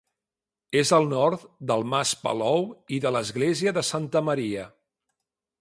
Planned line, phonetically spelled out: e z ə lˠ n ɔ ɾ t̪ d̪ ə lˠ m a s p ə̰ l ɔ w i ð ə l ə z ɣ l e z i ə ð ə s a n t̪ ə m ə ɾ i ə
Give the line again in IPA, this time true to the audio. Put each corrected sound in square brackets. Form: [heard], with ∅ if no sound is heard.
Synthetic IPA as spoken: e z ə lˠ n ɔ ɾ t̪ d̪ ə lˠ m a s p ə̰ l ɔ w i ð ə l ə z ɣ l e z i ə ð ə s a n t̪ ə m ə ɾ i ə